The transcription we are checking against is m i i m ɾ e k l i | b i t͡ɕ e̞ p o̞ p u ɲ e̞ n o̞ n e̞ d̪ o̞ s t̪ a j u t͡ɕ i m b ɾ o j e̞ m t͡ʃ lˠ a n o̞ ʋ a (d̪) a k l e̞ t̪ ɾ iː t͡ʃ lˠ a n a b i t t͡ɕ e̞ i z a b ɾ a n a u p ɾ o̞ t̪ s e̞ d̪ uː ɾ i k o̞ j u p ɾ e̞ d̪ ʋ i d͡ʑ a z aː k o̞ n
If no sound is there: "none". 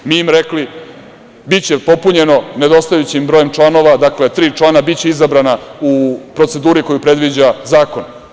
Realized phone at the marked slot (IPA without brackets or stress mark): d̪